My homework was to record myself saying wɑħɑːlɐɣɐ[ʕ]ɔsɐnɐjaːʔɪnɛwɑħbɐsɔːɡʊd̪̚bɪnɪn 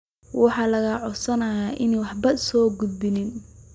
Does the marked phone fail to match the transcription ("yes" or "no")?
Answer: no